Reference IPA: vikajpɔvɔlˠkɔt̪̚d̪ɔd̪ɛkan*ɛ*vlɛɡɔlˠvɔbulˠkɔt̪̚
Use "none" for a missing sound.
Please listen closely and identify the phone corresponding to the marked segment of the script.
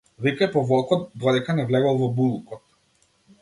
ɛ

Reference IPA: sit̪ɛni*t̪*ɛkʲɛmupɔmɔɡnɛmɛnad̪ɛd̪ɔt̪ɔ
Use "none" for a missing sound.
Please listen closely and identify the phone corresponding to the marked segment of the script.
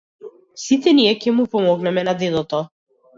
none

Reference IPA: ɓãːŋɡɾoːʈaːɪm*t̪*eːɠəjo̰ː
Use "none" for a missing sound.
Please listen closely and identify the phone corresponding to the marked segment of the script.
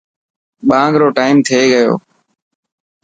t̪ʰ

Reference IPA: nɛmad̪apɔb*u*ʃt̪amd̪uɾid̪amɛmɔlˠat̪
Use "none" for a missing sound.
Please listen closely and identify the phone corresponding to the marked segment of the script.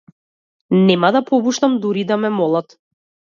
u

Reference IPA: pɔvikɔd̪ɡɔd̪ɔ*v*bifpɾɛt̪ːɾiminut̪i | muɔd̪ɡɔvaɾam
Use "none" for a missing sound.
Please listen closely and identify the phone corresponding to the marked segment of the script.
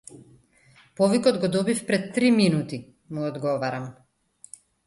none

